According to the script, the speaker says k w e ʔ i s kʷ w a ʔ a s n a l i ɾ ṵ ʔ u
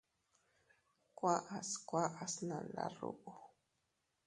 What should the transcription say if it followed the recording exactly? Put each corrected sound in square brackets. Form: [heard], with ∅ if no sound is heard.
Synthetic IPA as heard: k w [a] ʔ [a] s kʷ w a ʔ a s n a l [a] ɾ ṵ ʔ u

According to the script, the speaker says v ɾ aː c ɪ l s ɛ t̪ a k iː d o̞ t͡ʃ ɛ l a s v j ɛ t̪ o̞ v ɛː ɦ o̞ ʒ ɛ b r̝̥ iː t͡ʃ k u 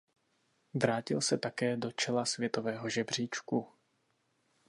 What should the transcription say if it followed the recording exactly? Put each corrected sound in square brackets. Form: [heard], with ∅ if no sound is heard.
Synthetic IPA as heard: v ɾ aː c ɪ l s ɛ t̪ a k [ɛː] d o̞ t͡ʃ ɛ l a s v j ɛ t̪ o̞ v ɛː ɦ o̞ ʒ ɛ b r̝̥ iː t͡ʃ k u

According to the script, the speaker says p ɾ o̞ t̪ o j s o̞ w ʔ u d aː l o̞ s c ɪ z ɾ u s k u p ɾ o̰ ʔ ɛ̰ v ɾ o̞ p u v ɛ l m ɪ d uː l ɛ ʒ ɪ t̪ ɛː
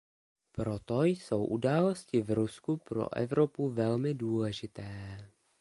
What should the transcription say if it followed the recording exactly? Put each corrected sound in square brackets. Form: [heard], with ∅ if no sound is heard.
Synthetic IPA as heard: p ɾ o̞ t̪ o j s o̞ w ʔ u d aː l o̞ s c ɪ [v] ɾ u s k u p ɾ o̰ ʔ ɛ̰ v ɾ o̞ p u v ɛ l m ɪ d uː l ɛ ʒ ɪ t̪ ɛː

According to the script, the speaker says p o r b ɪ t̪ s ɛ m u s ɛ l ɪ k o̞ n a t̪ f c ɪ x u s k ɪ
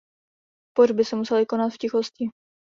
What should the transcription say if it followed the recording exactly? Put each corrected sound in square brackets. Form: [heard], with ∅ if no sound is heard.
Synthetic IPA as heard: p o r b ɪ [∅] s ɛ m u s ɛ l ɪ k o̞ n a t̪ f c ɪ x [o] s [c] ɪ

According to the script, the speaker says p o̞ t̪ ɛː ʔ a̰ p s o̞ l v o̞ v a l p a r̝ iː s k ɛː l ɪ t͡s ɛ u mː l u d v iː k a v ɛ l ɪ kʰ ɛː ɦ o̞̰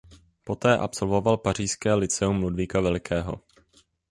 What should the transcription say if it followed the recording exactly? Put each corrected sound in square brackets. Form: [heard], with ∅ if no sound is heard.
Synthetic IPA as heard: p o̞ t̪ ɛː ʔ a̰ p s o̞ l v o̞ v a l p a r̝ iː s k ɛː l ɪ t͡s ɛ u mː l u d v iː k a v ɛ l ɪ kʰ ɛː ɦ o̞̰

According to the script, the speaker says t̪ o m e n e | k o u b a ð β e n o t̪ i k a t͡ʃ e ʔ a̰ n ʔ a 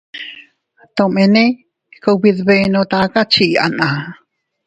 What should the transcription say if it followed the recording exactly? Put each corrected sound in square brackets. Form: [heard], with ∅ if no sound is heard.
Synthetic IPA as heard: t̪ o m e n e | k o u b [i] ð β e n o t̪ [a] k a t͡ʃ [i] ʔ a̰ n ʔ a

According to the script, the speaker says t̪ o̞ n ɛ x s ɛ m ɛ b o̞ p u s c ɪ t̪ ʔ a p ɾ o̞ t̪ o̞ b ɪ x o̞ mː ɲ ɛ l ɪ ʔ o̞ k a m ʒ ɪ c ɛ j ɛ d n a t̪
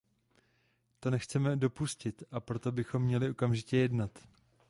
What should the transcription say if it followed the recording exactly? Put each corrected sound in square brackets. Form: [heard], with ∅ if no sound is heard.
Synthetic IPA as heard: t̪ o̞ n ɛ x [t͡s] ɛ m ɛ [d] o̞ p u s c ɪ t̪ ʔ a p ɾ o̞ t̪ o̞ b ɪ x o̞ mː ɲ ɛ l ɪ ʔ o̞ k a m ʒ ɪ c ɛ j ɛ d n a t̪

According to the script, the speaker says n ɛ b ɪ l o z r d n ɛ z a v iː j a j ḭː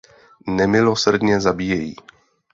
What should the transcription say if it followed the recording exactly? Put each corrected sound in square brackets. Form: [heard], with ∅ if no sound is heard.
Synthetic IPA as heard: n ɛ [m] ɪ l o [s] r d [ɲ] ɛ z a [b] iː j [ɛ] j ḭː

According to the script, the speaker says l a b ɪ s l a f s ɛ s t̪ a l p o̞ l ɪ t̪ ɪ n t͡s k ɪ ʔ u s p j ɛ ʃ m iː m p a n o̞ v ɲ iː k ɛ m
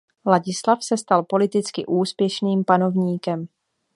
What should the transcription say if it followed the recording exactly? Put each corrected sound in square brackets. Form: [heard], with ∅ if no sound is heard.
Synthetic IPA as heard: l a [ɟ] ɪ s l a f s ɛ s t̪ a l p o̞ l ɪ t̪ ɪ [∅] t͡s k ɪ ʔ [uː] s p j ɛ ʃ [n] iː m p a n o̞ v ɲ iː k ɛ m

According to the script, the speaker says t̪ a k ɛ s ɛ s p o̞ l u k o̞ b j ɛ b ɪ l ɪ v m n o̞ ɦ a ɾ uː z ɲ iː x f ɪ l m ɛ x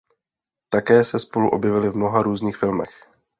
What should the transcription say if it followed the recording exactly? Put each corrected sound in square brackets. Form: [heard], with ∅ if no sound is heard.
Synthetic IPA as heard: t̪ a k [ɛː] s ɛ s p o̞ l u [ʔ] o̞ b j ɛ [v] ɪ l ɪ v m n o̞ ɦ a ɾ uː z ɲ iː x f ɪ l m ɛ x

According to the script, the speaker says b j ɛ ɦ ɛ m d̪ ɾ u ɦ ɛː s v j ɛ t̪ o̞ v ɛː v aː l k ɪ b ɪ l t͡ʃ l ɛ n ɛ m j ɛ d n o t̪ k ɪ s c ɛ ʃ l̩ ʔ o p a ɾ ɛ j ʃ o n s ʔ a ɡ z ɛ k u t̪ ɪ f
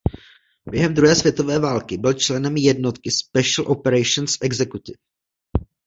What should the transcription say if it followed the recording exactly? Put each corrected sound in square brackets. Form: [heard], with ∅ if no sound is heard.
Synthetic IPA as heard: b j ɛ ɦ ɛ m d̪ ɾ u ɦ ɛː s v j ɛ t̪ o̞ v ɛː v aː l k ɪ b ɪ l t͡ʃ l ɛ n ɛ m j ɛ d n o t̪ k ɪ s [p] ɛ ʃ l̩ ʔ o p [ɛ] ɾ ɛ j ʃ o n s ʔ [ɛ] ɡ z ɛ k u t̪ ɪ f

